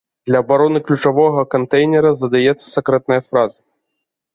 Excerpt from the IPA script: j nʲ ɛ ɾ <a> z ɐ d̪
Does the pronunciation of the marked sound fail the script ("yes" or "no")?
yes